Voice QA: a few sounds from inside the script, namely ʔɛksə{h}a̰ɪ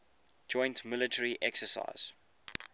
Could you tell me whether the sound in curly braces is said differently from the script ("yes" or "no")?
yes